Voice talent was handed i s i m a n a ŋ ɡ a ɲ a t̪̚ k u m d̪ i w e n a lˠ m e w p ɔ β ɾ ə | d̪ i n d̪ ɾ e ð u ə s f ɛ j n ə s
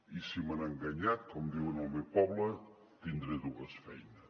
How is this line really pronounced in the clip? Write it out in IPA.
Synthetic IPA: i s i m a n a ŋ ɡ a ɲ a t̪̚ k ɔ m d̪ i w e n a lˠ m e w p ɔ β l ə | t̪ i n d̪ ɾ e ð u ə s f ɛ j n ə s